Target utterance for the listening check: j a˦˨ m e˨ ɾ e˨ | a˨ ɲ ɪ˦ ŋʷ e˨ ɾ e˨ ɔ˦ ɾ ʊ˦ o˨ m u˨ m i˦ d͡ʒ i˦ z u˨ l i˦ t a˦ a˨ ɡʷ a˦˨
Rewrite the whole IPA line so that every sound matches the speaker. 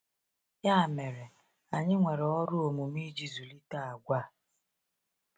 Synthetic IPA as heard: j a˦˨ m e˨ ɾ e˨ | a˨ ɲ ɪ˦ ŋʷ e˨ ɾ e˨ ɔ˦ ɾ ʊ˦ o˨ m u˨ m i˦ d͡ʒ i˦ z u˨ l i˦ t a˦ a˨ ɡʷ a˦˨